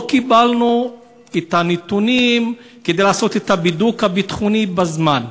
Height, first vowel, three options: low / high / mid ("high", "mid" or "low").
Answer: high